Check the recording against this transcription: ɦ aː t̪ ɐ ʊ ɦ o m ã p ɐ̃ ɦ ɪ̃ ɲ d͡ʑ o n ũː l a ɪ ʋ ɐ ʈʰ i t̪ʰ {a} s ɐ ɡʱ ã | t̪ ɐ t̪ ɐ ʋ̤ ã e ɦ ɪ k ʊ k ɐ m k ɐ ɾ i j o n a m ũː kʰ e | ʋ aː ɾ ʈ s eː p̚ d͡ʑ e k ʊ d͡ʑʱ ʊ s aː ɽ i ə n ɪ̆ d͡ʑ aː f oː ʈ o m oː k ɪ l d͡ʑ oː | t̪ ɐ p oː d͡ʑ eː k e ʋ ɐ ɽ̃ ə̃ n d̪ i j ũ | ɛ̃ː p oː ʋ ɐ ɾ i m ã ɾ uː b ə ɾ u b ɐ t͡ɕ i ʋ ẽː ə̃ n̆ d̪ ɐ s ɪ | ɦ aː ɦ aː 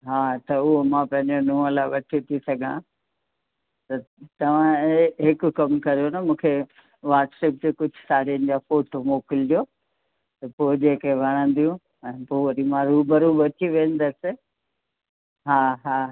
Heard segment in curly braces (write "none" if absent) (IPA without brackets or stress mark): i